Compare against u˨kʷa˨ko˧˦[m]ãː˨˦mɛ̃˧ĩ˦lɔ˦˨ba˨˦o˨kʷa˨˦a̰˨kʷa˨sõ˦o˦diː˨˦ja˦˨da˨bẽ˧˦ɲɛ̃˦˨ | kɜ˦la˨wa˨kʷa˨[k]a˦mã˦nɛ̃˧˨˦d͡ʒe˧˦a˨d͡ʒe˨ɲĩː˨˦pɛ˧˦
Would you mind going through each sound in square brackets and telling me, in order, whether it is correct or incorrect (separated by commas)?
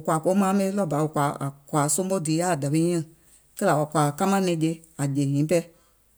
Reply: correct, correct